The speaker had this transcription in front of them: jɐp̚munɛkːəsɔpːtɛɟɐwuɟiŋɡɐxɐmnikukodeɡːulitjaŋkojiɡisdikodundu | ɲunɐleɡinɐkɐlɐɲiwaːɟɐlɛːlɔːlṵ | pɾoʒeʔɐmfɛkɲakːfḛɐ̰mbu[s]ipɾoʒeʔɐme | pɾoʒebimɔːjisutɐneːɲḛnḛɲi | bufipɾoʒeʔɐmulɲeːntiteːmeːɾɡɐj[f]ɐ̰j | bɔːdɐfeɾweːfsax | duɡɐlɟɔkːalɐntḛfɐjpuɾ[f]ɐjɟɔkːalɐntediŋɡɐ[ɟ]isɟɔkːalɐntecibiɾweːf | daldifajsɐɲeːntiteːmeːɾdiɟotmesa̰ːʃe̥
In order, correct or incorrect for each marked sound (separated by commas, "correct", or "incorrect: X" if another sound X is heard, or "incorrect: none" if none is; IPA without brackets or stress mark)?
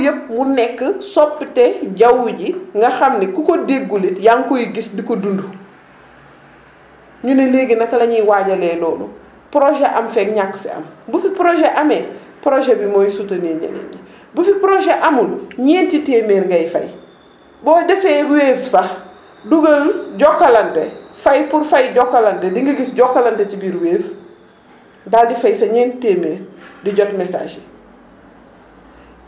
incorrect: f, correct, correct, incorrect: ɡ